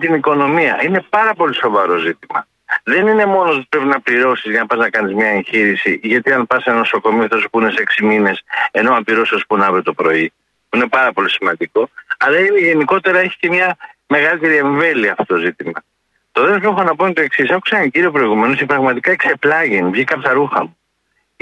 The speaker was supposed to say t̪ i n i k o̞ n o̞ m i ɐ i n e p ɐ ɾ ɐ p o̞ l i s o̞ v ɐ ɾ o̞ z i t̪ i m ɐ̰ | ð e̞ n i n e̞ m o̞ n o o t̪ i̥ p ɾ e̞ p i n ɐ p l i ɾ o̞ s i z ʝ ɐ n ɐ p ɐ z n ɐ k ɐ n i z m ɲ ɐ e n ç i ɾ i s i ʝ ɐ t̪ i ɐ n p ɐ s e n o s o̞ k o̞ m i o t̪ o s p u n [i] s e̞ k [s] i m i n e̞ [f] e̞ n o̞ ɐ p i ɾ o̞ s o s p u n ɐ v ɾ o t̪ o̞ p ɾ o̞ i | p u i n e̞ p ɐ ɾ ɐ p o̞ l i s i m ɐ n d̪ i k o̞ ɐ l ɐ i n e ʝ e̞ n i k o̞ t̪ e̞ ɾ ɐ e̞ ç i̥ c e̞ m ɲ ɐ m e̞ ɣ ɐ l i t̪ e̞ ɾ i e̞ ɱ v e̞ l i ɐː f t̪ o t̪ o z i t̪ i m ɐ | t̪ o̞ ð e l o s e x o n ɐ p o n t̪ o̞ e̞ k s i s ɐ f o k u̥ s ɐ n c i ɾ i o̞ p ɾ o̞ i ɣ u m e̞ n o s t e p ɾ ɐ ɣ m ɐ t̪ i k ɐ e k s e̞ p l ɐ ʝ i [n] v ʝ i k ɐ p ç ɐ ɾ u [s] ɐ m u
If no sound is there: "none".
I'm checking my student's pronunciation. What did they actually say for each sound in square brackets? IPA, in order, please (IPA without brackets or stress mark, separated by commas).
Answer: e, s, s, n, x